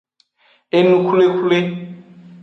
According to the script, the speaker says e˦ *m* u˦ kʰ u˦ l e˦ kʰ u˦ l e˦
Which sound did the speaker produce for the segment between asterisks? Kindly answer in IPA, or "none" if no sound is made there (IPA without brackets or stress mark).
n